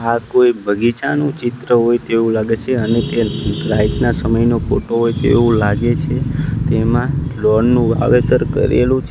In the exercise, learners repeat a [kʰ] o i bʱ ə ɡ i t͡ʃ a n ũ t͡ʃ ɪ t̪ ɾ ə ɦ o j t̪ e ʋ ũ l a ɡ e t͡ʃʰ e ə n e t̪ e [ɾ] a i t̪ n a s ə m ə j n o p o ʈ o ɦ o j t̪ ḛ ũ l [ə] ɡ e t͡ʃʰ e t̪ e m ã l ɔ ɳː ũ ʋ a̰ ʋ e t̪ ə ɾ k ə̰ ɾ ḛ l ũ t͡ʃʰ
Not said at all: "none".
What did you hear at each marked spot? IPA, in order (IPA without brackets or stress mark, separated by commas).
k, ɾ, a